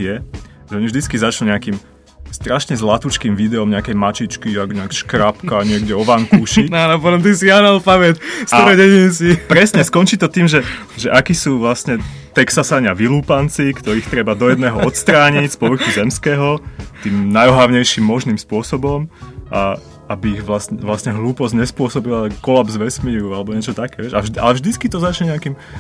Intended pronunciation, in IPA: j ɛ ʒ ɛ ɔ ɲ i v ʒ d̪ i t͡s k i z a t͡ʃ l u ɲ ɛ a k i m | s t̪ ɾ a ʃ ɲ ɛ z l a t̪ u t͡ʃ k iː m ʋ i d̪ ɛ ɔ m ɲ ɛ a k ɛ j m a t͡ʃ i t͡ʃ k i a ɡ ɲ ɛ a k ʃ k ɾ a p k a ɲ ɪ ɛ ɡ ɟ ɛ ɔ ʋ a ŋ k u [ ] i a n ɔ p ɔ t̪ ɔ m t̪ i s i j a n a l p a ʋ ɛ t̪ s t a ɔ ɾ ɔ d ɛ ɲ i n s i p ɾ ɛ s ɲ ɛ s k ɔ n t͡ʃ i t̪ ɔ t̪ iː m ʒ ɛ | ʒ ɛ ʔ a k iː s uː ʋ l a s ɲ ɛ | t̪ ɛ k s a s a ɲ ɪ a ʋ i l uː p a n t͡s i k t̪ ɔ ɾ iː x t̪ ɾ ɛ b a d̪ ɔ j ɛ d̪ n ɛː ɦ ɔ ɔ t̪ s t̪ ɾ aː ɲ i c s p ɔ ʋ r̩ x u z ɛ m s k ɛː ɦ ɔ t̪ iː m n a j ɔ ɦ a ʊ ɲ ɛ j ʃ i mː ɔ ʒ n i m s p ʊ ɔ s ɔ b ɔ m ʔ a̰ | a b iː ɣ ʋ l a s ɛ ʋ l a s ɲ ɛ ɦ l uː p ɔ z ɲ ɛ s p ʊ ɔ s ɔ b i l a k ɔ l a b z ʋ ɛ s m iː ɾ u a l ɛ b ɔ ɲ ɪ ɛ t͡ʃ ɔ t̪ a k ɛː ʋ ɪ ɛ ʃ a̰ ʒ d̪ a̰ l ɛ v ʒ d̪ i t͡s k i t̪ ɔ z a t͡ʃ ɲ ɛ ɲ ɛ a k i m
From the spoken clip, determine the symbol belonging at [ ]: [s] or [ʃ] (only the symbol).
ʃ